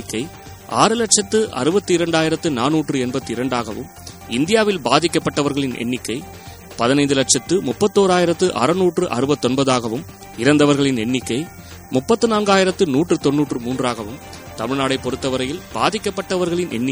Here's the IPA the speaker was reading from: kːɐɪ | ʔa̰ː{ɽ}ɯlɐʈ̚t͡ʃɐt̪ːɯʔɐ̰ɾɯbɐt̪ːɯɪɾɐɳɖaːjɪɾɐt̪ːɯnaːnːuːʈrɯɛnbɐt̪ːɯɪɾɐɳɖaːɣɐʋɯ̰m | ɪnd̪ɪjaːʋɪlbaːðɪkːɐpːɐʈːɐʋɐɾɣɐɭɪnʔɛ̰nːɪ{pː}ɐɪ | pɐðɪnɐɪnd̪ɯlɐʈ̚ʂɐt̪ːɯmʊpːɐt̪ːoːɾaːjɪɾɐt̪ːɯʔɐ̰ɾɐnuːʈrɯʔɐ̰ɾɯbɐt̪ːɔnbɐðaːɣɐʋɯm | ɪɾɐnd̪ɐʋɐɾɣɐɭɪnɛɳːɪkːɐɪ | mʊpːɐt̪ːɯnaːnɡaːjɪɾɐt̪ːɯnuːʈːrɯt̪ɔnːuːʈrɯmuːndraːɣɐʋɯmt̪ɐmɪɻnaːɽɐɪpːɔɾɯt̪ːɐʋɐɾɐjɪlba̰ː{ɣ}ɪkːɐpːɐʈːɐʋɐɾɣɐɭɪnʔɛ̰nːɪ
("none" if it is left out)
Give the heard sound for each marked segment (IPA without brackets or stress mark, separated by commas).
ɾ, kː, ð